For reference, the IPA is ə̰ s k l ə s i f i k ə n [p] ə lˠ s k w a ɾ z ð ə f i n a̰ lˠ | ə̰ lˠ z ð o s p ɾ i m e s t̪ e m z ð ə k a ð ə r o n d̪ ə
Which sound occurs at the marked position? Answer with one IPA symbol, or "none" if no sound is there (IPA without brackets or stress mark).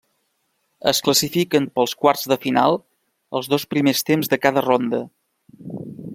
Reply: p